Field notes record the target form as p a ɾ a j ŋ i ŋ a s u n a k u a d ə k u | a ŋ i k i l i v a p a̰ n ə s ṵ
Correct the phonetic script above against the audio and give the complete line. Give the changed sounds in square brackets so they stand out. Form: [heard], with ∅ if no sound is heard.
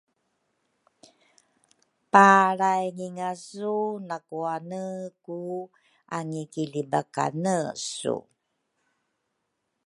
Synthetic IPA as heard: p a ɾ a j ŋ i ŋ a s u n a k u a [n] ə k u | a ŋ i k i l i [b] a [k] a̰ n ə s ṵ